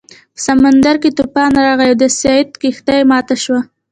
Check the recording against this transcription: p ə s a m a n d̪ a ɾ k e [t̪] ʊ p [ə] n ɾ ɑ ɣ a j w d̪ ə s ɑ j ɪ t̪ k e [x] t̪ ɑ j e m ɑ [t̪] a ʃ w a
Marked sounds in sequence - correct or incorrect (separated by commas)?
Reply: correct, incorrect, correct, correct